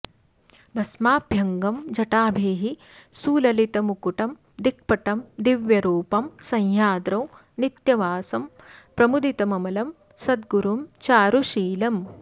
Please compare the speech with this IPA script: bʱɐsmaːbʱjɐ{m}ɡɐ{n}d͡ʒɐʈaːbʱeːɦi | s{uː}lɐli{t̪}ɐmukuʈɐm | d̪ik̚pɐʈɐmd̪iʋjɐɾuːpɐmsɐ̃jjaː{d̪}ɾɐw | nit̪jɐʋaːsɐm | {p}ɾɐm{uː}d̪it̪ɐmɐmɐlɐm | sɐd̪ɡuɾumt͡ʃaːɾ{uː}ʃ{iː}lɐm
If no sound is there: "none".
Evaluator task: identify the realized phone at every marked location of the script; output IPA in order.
ŋ, m, uː, t̪, d̪, p, u, u, iː

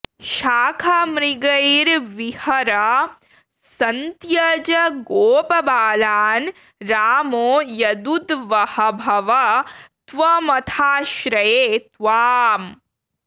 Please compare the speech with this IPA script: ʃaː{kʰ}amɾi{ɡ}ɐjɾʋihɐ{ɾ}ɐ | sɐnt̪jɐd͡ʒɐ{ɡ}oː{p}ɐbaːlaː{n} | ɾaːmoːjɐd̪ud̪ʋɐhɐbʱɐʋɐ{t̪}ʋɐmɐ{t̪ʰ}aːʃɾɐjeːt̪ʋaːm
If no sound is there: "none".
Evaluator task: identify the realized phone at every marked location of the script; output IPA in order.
kʰ, ɡ, ɾ, ɡ, p, n, t̪, t̪ʰ

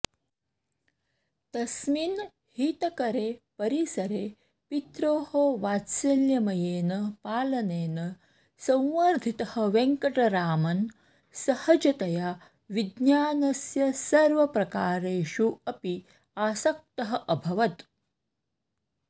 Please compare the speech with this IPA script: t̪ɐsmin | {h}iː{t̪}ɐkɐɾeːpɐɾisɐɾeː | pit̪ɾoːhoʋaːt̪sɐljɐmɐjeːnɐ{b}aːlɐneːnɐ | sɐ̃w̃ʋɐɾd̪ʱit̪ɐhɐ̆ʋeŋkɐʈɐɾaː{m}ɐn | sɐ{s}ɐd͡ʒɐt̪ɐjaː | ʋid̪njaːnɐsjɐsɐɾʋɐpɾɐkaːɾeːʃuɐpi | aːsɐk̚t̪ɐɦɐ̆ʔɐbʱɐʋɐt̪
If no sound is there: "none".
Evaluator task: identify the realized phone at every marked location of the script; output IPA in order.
h, t̪, p, m, h

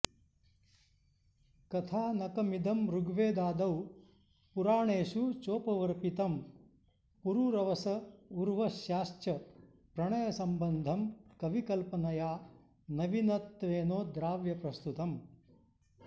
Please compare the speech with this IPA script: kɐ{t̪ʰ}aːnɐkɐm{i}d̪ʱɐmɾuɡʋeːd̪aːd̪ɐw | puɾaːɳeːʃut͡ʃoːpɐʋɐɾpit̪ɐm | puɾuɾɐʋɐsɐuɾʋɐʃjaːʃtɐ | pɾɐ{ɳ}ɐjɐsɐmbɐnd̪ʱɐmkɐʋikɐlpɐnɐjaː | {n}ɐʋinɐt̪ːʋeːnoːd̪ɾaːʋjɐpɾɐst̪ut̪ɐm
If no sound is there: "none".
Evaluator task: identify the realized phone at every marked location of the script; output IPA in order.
t̪ʰ, i, ɳ, n

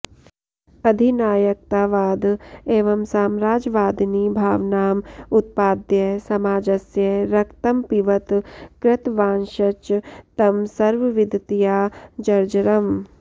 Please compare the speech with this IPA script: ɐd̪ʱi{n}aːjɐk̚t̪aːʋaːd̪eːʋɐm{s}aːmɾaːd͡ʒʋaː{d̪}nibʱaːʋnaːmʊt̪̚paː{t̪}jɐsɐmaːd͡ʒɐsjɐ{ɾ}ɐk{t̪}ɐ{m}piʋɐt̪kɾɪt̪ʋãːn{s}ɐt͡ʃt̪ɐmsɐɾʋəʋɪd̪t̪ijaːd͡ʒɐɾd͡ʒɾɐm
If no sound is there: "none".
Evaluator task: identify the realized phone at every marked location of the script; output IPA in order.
n, s, d̪, d̪, ɾ, t̪, m, ʃ

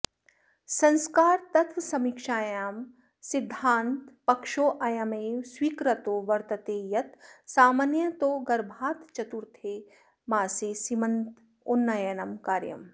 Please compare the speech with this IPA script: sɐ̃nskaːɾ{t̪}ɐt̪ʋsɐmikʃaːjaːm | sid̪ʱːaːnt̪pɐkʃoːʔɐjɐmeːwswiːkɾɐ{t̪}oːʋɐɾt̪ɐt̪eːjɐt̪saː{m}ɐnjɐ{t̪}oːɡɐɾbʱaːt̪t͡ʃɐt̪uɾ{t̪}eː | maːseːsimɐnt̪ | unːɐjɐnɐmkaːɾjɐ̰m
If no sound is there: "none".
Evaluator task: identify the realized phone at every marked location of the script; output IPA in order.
t̪, t̪, m, t̪, t̪ʰ

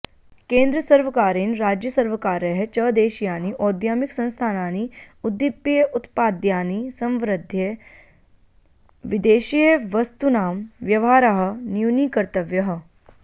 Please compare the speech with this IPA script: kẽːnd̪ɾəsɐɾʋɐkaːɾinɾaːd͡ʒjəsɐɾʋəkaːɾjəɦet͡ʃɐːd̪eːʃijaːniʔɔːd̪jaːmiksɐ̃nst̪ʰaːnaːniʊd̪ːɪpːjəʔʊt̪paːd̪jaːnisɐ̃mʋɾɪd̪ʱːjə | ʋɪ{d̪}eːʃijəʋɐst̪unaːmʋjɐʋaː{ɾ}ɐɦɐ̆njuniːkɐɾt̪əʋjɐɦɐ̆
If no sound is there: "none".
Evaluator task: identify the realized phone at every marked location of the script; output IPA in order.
d̪, ɾ

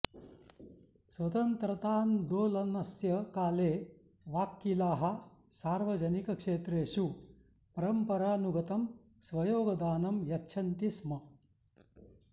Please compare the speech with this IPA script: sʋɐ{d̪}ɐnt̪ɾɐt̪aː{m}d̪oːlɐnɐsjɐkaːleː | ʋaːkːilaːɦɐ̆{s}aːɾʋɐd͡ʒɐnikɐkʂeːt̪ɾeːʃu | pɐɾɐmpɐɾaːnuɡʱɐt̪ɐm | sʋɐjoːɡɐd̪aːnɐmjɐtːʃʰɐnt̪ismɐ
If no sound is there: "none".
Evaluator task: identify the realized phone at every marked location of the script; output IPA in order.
t̪, n, s

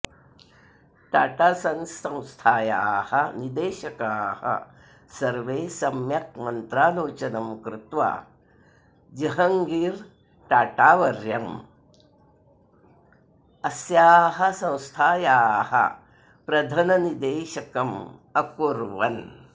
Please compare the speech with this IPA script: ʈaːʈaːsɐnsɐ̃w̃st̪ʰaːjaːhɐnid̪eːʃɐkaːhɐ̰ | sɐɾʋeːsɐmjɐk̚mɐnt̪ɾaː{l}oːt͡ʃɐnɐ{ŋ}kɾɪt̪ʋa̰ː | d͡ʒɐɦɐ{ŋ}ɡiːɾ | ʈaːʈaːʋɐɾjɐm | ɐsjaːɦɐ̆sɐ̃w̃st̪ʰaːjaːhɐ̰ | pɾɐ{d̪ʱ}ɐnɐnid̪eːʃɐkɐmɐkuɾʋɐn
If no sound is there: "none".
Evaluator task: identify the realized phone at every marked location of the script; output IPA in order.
l, m, ŋ, d̪ʱ

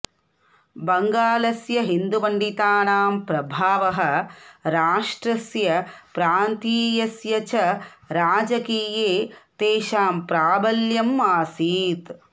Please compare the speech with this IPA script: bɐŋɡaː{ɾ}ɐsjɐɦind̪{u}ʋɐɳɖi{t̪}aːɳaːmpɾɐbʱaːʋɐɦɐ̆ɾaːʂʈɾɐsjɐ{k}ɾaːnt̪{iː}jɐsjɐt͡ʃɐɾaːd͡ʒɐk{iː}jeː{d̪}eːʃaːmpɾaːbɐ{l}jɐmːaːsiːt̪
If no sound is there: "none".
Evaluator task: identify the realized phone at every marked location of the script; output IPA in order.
l, u, t̪, p, iː, iː, t̪, l

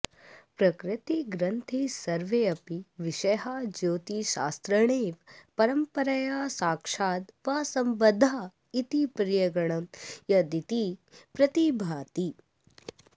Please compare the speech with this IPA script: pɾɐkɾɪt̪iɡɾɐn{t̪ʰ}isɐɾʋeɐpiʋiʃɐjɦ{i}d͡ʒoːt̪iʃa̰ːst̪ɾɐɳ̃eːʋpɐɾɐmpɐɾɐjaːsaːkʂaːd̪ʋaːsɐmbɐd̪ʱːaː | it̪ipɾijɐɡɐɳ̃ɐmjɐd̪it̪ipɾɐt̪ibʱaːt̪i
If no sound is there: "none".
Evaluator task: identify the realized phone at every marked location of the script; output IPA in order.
t̪ʰ, a

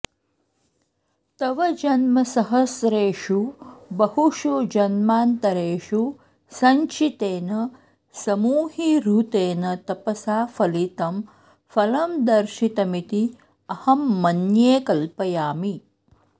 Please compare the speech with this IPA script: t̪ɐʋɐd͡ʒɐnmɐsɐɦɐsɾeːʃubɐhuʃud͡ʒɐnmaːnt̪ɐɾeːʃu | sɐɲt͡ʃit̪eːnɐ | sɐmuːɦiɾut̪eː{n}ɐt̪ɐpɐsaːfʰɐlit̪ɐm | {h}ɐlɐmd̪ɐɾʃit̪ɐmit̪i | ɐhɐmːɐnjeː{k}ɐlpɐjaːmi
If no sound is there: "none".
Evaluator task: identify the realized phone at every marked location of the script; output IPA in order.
n, f, k

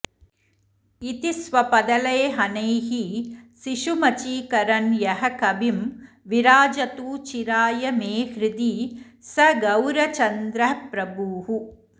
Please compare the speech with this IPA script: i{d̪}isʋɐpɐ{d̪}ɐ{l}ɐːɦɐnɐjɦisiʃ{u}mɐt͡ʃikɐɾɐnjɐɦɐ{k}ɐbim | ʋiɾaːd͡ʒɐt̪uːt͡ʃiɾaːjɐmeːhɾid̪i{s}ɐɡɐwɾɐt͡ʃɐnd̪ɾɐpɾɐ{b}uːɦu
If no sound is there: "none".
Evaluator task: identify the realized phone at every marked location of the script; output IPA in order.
t̪, d̪, l, u, k, s, b

